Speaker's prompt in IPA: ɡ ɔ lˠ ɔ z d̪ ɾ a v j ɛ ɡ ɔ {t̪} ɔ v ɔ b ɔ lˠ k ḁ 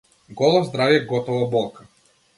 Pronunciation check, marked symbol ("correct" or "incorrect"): correct